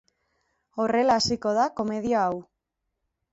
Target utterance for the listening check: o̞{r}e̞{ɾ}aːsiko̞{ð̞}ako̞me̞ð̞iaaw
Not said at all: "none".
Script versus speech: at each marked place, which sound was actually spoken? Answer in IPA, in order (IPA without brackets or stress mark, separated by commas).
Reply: r, l, ð̞